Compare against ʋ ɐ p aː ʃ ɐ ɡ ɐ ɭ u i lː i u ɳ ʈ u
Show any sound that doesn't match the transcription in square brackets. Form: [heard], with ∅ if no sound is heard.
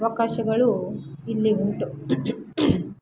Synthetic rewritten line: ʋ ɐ [k] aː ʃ ɐ ɡ ɐ ɭ u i lː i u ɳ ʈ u